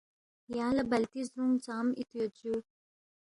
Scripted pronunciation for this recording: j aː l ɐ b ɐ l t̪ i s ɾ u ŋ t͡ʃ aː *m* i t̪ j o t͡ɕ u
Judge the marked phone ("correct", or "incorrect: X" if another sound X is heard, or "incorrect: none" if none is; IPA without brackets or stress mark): correct